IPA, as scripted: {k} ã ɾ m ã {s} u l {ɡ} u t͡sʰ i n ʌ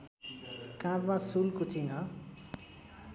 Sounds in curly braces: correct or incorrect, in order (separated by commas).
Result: correct, correct, incorrect